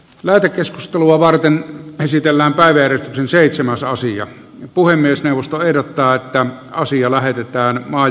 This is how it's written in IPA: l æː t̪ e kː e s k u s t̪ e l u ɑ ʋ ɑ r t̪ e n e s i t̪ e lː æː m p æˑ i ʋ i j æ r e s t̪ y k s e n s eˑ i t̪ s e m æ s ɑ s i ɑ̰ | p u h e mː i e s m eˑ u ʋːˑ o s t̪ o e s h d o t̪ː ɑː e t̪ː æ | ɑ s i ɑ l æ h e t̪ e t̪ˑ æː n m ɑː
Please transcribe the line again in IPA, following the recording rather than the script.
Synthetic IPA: l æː t̪ e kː e s k u s t̪ e l u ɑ ʋ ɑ r t̪ e n e s i t̪ e lː æː m p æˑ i ʋ æ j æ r e s t̪ y k s e n s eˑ i t̪ s e m æ s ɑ s i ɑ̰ | p u h e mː i e s n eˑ u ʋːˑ o s t̪ o e h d o t̪ː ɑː e t̪ː æ | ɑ s i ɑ l æ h e t̪ e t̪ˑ æː n m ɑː